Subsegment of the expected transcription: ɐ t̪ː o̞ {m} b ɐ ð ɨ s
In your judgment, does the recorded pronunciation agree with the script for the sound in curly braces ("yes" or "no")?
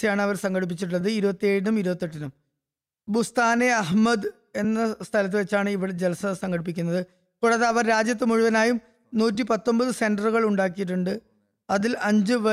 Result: yes